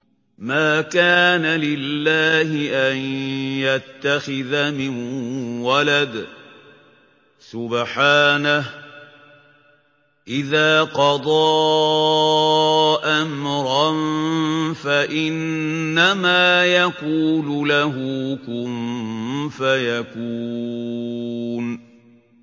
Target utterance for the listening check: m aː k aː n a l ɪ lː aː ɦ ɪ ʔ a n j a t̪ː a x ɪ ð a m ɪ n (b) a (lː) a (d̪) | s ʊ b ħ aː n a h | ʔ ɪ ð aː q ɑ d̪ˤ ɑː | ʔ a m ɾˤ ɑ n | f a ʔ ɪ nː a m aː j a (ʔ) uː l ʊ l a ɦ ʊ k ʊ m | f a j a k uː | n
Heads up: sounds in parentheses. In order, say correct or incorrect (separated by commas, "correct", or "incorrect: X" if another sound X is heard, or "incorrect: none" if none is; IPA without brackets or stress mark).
incorrect: w, incorrect: l, correct, incorrect: k